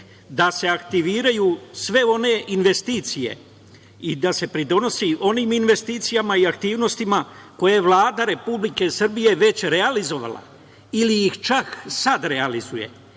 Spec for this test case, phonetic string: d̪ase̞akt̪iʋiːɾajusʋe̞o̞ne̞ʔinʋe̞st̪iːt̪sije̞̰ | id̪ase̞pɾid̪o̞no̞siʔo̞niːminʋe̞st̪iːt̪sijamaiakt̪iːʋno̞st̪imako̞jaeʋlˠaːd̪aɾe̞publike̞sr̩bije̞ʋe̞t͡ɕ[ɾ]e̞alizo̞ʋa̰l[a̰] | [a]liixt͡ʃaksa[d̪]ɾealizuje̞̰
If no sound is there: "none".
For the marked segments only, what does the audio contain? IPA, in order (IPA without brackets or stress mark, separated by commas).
ɾ, a̰, i, d̪